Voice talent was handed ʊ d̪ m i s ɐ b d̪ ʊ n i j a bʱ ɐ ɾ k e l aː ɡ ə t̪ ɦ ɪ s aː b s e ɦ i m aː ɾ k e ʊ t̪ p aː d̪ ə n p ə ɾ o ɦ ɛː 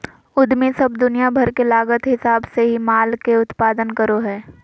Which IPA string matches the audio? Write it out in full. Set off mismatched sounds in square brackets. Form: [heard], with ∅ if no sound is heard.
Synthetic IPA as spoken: ʊ d̪ m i s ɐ b d̪ ʊ n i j a bʱ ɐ ɾ k e l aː ɡ ə t̪ ɦ ɪ s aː b s e ɦ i m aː [l] k e ʊ t̪ p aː d̪ ə n [k] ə ɾ o ɦ ɛː